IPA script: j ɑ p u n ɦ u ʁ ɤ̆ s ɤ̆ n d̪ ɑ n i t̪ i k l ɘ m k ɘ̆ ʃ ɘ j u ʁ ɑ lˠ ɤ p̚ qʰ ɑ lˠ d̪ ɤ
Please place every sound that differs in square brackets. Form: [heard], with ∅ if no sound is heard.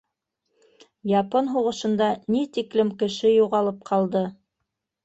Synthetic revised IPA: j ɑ p [o] n ɦ u ʁ ɤ̆ [ʃ] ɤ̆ n d̪ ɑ n i t̪ i k l ɘ m k ɘ̆ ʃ ɘ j u ʁ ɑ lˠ ɤ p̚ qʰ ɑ lˠ d̪ ɤ